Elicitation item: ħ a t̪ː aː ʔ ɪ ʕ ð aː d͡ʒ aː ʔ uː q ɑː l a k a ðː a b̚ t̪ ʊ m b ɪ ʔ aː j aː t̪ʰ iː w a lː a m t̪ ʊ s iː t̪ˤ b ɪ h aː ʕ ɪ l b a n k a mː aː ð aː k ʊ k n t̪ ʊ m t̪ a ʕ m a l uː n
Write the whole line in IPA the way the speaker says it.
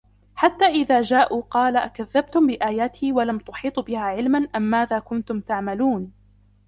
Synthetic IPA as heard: ħ a t̪ː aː ʔ ɪ ð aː d͡ʒ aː ʔ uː q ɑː l a k a ðː a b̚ t̪ ʊ m b ɪ ʔ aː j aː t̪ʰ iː w a l a m t̪ ʊ ħ iː t̪ˤ b ɪ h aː ʕ ɪ l m a n ʔ a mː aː ð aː k ʊ n t̪ ʊ m t̪ a ʕ m a l uː n